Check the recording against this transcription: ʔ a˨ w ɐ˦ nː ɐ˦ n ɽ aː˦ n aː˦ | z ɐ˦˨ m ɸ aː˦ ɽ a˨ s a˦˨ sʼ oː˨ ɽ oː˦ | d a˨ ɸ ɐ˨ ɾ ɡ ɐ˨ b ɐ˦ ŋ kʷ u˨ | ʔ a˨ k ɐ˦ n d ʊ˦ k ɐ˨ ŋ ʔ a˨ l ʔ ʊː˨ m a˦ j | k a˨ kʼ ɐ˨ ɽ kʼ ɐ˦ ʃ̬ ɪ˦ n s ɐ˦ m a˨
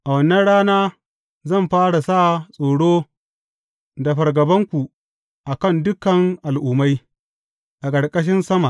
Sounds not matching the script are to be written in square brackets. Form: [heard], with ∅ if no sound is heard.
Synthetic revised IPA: ʔ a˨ w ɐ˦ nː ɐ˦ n ɽ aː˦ n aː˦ | z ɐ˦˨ m ɸ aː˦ ɽ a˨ s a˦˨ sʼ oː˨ ɽ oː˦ | d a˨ ɸ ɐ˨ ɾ ɡ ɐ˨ b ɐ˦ ŋ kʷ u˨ | ʔ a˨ k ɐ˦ n d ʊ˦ k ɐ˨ ŋ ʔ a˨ l ʔ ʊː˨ m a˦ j | [ʔ] a˨ kʼ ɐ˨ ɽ kʼ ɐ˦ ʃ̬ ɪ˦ n s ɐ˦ m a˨

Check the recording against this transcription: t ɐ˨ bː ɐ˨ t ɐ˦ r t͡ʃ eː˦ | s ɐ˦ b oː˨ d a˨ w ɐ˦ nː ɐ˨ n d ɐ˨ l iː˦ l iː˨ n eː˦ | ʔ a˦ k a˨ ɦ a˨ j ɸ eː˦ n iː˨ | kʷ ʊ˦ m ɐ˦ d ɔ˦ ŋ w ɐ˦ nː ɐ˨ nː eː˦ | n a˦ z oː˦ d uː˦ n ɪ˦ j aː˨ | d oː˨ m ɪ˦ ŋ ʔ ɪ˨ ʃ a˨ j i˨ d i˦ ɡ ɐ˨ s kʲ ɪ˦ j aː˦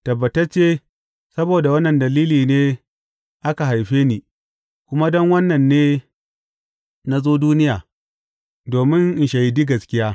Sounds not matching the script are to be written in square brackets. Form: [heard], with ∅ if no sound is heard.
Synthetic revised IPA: t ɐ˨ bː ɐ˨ t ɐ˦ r t͡ʃ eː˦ | s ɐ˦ b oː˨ d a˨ w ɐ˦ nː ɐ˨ n d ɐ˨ l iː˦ l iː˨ n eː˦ | ʔ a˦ k a˨ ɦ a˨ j ɸ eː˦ n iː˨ | kʷ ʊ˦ m [a˦] d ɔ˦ ŋ w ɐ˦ nː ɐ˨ nː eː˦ | n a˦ z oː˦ d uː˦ n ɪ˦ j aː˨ | d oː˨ m ɪ˦ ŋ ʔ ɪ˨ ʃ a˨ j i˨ d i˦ ɡ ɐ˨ s kʲ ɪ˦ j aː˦

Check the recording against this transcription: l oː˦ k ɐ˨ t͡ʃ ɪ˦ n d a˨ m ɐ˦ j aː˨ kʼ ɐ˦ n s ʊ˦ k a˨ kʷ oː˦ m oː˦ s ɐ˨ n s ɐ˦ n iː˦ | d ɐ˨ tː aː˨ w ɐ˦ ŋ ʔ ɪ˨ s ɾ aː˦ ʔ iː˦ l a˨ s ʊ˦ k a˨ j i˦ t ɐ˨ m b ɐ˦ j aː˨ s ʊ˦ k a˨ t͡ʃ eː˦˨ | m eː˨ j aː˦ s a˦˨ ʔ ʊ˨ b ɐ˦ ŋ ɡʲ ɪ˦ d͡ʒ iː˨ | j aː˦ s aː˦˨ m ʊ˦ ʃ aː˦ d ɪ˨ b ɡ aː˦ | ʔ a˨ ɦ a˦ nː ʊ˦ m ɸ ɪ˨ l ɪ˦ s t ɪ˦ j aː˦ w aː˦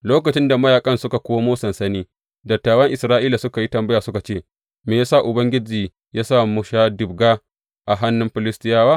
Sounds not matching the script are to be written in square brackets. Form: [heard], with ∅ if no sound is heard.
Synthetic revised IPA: l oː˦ k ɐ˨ t͡ʃ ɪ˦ n d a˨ m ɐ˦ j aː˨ kʼ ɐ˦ n s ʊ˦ k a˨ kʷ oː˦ m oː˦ s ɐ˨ n s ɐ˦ n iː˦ | d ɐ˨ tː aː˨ w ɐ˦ ŋ ʔ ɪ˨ s ɾ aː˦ ʔ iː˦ l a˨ s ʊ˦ k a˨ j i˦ t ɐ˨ m b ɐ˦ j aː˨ s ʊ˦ k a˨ t͡ʃ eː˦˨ | m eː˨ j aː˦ s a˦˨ ʔ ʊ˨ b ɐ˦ ŋ ɡʲ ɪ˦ d͡ʒ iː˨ | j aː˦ s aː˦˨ m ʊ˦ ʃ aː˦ d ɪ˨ b ɡ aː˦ | ʔ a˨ ɦ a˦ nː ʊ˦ m ɸ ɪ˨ l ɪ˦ s t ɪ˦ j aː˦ w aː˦

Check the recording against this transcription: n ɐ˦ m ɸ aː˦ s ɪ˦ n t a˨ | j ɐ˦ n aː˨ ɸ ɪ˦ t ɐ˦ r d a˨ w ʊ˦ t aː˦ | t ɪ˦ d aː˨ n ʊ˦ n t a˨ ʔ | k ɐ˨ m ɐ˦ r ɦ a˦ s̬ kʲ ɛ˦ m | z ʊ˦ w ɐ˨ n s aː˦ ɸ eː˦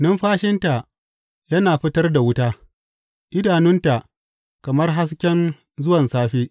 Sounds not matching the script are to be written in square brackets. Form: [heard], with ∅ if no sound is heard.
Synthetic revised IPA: n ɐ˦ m ɸ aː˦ [ʃ] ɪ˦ n t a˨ | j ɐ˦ n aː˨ ɸ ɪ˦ t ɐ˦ r d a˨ w ʊ˦ t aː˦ | [ʔ] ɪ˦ d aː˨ n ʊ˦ n t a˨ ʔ | k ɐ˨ m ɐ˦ r ɦ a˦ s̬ kʲ ɛ˦ [n] | z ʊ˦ w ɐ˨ n s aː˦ ɸ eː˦

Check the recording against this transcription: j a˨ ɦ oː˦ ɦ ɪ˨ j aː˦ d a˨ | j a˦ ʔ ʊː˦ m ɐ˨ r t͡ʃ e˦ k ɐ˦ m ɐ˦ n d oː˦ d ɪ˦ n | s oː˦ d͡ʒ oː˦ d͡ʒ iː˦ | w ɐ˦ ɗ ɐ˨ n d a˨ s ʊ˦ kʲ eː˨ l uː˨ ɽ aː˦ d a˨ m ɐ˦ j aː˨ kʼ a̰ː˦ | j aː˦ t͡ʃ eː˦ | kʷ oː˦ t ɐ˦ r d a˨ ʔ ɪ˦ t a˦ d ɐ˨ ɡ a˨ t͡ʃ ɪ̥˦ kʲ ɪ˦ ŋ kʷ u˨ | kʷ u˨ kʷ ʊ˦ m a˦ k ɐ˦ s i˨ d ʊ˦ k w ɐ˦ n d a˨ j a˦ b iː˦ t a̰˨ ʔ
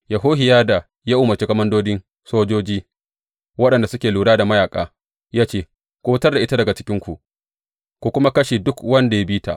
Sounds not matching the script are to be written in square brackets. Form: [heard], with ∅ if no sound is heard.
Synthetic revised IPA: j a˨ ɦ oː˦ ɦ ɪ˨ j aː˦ d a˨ | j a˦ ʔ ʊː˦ m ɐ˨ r t͡ʃ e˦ k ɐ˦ m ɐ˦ n d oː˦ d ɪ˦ n | s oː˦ d͡ʒ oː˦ d͡ʒ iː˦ | w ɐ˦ ɗ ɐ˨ n d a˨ s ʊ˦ kʲ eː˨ l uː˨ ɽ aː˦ d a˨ m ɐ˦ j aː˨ kʼ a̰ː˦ | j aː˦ t͡ʃ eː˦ | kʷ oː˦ t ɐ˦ r d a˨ ʔ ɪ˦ t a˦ d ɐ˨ ɡ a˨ t͡ʃ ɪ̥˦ kʲ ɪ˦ ŋ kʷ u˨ | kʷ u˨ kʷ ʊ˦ m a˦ k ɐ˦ [ʃ] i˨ d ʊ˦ k w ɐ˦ n d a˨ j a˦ b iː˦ t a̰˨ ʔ

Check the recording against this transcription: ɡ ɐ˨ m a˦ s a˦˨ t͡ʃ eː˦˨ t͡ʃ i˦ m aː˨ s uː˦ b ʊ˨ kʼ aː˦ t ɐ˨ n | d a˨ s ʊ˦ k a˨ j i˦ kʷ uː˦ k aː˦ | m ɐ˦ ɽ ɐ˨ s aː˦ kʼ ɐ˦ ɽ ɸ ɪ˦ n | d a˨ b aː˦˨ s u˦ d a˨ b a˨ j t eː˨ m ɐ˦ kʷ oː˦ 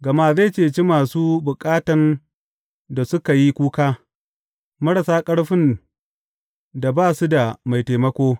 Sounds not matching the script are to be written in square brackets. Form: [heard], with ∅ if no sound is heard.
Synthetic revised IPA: ɡ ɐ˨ m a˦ [z] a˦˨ t͡ʃ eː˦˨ t͡ʃ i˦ m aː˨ s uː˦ b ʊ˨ kʼ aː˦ t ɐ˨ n | d a˨ s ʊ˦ k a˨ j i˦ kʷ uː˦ k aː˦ | m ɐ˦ ɽ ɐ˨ s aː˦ kʼ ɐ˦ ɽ ɸ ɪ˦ n | d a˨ b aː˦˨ s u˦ d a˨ [m] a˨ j t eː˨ m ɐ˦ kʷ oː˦

